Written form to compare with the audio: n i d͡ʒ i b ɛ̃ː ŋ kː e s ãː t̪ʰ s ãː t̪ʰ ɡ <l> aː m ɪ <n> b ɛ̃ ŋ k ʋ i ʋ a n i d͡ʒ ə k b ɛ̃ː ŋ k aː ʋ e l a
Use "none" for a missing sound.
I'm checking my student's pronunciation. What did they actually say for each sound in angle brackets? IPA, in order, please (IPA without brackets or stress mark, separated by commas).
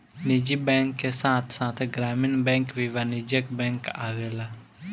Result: ɾ, n